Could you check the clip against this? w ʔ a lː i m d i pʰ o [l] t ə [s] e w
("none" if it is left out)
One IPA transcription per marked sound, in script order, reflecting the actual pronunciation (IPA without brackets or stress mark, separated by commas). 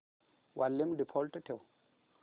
l, t